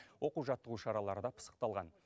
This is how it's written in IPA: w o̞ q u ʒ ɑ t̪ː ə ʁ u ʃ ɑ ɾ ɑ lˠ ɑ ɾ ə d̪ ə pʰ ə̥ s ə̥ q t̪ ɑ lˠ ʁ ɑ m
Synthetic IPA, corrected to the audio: w o̞ q u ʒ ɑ t̪ː ə ʁ u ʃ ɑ ɾ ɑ lˠ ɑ ɾ ə d̪ ɑ pʰ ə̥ s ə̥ q t̪ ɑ lˠ ʁ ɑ n